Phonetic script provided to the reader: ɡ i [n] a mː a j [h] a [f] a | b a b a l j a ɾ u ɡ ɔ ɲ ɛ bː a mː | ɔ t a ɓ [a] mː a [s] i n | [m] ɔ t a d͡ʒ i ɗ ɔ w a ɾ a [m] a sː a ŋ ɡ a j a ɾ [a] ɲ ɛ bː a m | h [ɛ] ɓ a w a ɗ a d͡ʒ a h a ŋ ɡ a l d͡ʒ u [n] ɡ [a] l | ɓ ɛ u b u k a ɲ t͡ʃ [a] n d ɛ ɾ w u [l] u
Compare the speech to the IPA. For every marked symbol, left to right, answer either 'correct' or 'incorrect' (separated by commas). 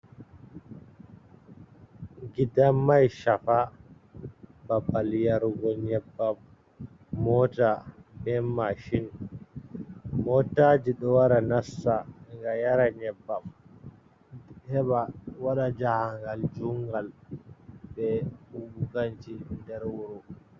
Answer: incorrect, incorrect, correct, incorrect, incorrect, correct, incorrect, correct, correct, incorrect, correct, incorrect, incorrect